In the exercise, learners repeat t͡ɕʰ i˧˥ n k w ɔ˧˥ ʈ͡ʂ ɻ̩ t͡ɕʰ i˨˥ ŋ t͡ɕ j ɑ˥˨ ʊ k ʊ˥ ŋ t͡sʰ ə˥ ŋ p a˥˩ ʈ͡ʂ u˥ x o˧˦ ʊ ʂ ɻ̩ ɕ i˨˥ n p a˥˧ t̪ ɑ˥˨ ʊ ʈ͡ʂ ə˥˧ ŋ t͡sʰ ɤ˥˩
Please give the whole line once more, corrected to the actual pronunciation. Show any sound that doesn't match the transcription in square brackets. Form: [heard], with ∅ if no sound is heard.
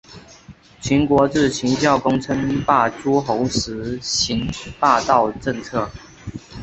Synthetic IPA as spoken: t͡ɕʰ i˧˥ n k w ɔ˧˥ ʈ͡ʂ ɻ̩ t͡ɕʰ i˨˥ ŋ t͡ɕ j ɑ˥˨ ʊ k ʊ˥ ŋ t͡sʰ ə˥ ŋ p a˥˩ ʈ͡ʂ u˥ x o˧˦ ʊ ʂ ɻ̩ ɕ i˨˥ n p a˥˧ t̪ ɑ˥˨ ʊ ʈ͡ʂ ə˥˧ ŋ t͡sʰ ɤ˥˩